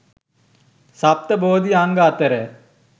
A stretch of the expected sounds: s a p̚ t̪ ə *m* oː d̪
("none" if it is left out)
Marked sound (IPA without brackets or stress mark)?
b